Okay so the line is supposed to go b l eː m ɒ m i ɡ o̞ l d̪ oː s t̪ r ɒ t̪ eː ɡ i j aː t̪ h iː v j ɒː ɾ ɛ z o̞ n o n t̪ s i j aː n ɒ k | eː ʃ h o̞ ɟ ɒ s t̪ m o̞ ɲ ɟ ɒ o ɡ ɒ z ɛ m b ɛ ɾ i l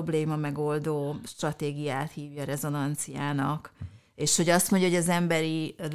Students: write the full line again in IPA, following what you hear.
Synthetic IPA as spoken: b l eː m ɒ m ɛ ɡ o̞ l d̪ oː ʃ t̪ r ɒ t̪ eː ɡ i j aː t̪ h iː v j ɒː ɾ ɛ z o̞ n ɒ n t̪ s i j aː n ɒ k | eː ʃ h o̞ ɟ ɒ s t̪ m o̞ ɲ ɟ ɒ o ɟ ɒ z ɛ m b ɛ ɾ i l